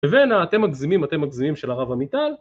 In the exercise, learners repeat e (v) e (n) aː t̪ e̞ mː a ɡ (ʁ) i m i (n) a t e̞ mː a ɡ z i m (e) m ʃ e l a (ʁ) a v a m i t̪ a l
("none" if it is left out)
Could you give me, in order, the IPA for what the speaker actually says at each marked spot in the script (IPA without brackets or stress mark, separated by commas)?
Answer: v, n, z, m, i, ʁ